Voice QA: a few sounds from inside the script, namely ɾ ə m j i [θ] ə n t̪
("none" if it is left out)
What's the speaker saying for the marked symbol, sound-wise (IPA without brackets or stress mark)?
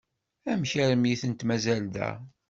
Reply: θ